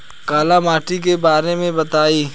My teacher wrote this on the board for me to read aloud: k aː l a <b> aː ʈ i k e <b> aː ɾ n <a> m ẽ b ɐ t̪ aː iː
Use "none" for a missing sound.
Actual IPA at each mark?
m, b, e

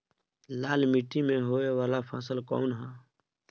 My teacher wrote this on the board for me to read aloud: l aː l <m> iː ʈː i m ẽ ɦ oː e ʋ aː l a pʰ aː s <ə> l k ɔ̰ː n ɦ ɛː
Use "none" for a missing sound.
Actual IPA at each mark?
m, ə

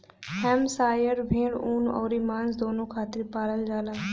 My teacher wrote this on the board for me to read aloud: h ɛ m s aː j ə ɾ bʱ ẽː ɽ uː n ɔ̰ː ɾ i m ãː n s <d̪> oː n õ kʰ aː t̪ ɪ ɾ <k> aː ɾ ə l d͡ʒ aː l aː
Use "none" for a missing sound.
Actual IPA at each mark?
d̪, p

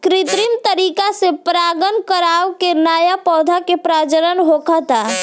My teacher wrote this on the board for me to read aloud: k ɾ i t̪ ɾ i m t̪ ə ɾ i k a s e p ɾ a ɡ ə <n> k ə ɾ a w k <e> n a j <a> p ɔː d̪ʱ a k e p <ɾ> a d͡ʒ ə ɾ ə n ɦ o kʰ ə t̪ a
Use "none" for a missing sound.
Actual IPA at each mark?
n, e, a, ɾ

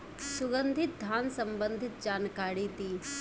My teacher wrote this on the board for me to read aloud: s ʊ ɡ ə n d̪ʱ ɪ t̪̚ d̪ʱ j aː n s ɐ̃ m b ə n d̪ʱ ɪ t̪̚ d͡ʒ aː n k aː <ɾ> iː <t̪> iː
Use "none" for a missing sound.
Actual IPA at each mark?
ɽ, t̪

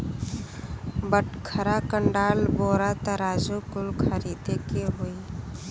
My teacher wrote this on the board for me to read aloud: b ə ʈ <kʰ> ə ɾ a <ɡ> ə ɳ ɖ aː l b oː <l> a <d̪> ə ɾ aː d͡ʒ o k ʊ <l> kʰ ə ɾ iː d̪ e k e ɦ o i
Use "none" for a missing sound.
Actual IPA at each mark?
kʰ, k, ɾ, t̪, l

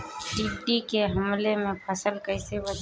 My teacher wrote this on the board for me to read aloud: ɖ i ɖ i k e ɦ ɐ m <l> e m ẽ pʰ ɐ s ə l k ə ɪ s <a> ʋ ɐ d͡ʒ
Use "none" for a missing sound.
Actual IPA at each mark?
l, e

